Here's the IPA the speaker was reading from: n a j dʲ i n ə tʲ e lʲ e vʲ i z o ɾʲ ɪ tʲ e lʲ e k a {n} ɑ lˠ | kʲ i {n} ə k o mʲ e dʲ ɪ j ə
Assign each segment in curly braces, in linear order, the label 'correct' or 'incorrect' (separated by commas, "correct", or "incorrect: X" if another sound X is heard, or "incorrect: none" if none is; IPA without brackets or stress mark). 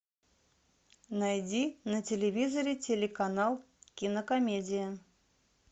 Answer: correct, correct